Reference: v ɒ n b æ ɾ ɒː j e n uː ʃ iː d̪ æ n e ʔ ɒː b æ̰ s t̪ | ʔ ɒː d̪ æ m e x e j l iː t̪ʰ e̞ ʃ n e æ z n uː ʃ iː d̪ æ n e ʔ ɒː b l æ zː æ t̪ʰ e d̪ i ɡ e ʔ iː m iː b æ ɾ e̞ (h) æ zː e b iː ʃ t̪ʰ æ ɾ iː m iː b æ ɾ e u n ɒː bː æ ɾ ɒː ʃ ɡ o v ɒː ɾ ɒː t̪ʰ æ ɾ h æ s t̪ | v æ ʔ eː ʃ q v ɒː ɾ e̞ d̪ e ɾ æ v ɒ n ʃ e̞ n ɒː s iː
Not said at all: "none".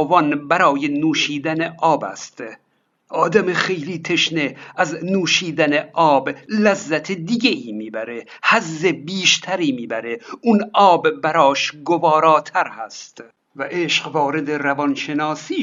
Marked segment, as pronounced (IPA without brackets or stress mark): h